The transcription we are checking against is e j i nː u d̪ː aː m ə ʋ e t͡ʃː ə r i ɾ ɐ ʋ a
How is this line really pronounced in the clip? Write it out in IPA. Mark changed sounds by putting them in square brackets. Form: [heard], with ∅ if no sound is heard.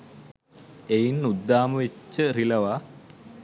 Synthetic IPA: e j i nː u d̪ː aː m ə ʋ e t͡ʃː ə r i [l] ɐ ʋ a